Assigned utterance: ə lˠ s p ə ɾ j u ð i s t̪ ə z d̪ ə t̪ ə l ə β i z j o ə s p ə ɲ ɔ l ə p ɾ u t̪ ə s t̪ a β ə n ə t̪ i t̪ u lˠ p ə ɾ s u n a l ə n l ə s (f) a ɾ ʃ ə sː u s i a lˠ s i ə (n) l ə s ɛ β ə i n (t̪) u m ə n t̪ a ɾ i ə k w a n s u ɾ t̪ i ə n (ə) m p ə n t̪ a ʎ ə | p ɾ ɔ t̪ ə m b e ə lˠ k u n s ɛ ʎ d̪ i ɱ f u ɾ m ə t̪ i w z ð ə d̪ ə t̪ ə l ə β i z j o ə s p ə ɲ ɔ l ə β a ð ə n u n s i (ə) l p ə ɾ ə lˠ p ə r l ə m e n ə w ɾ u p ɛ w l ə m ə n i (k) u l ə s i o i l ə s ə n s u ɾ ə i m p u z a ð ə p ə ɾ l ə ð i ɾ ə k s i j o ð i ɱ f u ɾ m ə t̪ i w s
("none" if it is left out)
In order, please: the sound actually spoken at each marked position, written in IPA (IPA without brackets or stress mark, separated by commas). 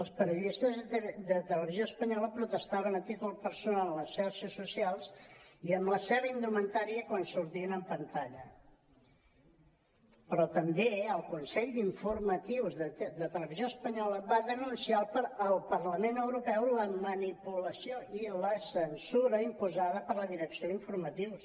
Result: ʃ, m, d̪, ə, a, p